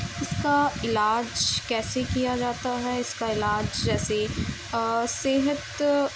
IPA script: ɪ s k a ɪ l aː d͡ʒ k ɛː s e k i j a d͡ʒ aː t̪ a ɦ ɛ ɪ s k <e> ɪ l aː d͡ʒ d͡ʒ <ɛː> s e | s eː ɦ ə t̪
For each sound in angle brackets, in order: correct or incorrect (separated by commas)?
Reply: incorrect, correct